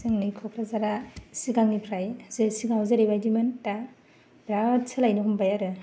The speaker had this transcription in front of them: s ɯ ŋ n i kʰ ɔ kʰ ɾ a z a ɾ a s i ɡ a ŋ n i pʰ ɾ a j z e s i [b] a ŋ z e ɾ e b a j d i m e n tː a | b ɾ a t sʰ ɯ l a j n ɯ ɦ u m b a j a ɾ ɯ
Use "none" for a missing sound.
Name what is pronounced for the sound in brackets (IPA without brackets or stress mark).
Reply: ɡ